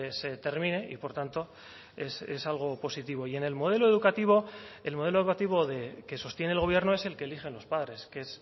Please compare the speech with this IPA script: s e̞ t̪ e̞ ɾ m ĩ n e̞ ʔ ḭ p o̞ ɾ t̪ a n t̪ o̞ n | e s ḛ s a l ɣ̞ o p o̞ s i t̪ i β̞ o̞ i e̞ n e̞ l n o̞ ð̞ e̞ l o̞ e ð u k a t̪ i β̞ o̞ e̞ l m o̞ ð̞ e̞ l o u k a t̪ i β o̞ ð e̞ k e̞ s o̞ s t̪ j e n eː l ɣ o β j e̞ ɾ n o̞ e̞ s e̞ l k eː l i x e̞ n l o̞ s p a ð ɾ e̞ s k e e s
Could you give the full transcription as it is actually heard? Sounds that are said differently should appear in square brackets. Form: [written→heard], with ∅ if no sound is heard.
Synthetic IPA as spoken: s e̞ t̪ e̞ ɾ m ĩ n e̞ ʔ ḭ p o̞ ɾ t̪ a n t̪ o̞ [n→∅] | e s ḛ s a l ɣ̞ o p o̞ s i t̪ i β̞ o̞ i e̞ n e̞ l [n→m] o̞ ð̞ e̞ l o̞ e ð u k a t̪ i β̞ o̞ e̞ l m o̞ ð̞ e̞ l o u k a t̪ i β o̞ ð e̞ k e̞ s o̞ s t̪ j e n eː l ɣ o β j e̞ ɾ n o̞ e̞ s e̞ l k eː l i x e̞ n l o̞ s p a ð ɾ e̞ s k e e s